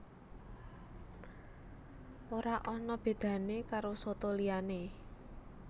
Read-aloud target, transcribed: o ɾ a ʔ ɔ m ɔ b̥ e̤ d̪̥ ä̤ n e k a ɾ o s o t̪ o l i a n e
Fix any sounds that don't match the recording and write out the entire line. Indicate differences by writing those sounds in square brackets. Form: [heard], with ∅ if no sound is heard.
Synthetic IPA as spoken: o ɾ a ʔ ɔ [n] ɔ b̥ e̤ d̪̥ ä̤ n e k a ɾ o s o t̪ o l i a n e